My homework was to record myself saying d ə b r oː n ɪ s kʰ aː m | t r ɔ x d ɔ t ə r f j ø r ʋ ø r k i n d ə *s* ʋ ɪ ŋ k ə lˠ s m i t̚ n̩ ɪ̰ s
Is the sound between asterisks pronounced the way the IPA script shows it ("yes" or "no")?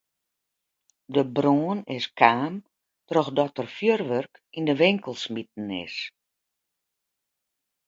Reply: no